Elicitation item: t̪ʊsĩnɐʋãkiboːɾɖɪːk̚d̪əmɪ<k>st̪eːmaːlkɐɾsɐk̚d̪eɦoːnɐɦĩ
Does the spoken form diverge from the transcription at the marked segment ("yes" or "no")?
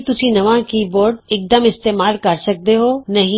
yes